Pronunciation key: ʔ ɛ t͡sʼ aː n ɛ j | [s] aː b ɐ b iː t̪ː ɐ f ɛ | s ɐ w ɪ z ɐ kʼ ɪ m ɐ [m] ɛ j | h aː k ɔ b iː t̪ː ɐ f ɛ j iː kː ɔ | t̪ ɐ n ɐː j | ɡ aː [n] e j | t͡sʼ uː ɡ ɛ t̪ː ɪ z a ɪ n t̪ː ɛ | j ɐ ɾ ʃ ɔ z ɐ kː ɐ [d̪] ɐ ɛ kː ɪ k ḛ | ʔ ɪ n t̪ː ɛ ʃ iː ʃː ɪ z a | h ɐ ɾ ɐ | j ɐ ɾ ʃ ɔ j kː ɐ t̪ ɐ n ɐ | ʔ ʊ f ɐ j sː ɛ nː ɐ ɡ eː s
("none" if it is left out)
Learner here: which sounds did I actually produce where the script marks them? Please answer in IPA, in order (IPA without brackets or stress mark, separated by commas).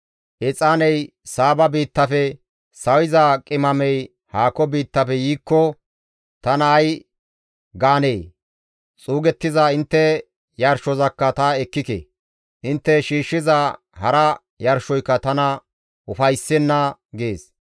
s, m, n, t̪